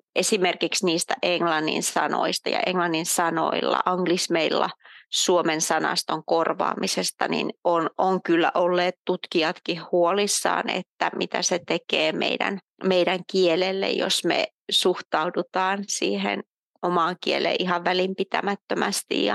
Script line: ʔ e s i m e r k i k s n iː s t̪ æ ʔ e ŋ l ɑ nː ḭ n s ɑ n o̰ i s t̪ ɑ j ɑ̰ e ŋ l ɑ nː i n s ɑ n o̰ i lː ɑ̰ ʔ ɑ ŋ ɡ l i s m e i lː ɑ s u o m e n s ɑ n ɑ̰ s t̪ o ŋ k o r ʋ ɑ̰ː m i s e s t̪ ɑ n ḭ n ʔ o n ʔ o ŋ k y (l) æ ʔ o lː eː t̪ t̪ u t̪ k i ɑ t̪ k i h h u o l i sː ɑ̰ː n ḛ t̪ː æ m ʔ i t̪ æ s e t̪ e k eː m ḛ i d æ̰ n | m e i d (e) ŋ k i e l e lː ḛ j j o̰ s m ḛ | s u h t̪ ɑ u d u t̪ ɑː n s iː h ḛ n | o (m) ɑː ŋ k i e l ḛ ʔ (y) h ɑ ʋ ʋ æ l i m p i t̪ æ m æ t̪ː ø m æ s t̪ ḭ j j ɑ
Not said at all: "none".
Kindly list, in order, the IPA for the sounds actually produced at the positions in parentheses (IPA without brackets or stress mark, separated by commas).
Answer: lː, æ, m, i